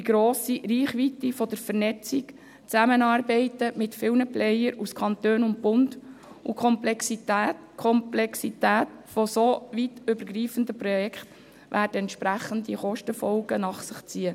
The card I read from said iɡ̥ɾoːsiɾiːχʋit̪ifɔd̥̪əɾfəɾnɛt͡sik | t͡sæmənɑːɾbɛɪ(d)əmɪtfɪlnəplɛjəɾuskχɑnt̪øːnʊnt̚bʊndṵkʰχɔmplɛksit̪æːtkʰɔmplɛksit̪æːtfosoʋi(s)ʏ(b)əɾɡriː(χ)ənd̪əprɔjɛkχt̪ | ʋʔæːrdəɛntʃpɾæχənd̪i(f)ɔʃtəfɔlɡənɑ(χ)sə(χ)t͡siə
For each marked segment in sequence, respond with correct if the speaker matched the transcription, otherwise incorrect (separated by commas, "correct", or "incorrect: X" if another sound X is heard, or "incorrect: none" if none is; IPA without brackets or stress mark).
incorrect: t, incorrect: t, correct, incorrect: f, incorrect: χ, correct, correct